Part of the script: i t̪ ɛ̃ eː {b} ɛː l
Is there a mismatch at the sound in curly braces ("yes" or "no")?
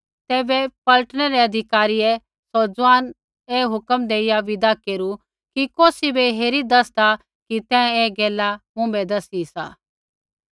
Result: yes